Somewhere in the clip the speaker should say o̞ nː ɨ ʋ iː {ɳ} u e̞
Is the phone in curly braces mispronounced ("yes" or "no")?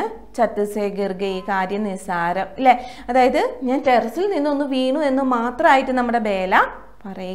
no